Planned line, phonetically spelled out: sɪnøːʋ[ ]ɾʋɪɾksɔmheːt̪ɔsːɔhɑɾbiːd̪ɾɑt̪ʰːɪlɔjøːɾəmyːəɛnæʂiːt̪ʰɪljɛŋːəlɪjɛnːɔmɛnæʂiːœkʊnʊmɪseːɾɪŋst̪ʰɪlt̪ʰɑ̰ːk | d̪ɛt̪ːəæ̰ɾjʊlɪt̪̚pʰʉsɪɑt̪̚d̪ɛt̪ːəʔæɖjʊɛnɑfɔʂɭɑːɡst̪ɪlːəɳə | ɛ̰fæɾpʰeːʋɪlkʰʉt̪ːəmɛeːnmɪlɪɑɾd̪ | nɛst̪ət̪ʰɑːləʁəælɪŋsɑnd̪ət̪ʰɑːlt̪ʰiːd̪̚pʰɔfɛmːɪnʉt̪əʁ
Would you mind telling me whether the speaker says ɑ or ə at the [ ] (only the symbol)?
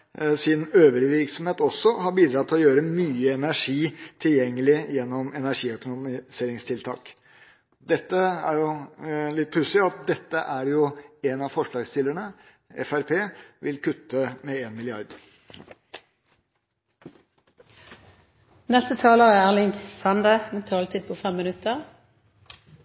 ə